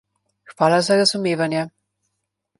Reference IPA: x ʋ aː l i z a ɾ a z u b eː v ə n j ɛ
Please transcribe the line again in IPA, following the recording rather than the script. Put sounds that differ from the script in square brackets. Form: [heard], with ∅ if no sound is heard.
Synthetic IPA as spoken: x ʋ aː l [a] z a ɾ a z u [m] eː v [a] n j ɛ